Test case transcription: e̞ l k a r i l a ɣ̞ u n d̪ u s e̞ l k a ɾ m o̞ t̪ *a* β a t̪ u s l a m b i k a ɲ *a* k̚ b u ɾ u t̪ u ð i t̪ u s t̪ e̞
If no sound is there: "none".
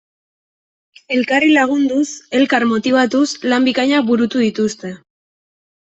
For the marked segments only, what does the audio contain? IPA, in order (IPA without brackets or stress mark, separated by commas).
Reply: i, a